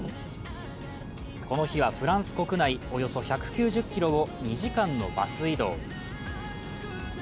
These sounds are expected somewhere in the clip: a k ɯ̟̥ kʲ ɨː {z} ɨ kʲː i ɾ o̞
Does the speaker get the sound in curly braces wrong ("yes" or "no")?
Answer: yes